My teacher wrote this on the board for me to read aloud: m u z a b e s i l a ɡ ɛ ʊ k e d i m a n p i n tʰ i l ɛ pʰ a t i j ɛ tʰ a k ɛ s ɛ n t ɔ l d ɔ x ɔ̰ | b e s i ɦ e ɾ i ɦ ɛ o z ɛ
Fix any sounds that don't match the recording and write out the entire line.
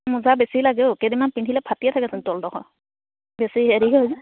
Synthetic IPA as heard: m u z a b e s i l a ɡ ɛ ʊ k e d i m a n p i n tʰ i l ɛ pʰ a t i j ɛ tʰ a k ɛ s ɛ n t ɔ l d ɔ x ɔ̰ | b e s i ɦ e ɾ i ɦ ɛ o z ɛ